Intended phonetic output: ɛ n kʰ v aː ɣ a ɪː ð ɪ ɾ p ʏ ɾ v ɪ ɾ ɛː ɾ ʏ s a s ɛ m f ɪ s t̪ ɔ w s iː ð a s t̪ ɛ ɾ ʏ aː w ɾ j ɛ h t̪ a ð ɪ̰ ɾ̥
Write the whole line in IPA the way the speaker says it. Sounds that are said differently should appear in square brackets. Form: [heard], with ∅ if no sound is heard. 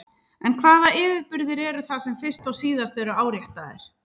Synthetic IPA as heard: ɛ n kʰ v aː [ð] a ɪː [v] ɪ ɾ p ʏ ɾ [ð] ɪ ɾ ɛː ɾ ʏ [θ] a s ɛ m f ɪ s t̪ ɔ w s iː ð a s t̪ ɛ ɾ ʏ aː w ɾ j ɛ h t̪ a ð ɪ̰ ɾ̥